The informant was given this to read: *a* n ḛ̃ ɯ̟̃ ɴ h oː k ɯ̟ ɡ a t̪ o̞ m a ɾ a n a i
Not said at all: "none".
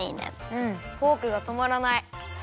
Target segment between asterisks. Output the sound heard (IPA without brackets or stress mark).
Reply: i